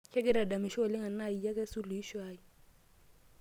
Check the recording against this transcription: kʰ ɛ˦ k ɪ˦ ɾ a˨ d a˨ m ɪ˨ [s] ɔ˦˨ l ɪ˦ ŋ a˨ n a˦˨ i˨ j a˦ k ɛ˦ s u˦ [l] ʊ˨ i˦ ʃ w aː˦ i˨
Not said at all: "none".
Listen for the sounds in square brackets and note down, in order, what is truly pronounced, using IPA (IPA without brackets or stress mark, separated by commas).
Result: ʃ, l